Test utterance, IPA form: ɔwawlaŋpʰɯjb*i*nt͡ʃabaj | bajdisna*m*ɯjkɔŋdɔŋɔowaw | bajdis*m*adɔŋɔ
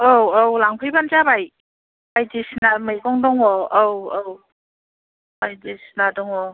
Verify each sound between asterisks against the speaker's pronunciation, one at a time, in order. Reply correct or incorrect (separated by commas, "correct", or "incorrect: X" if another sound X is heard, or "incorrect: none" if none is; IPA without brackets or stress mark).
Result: incorrect: a, correct, incorrect: n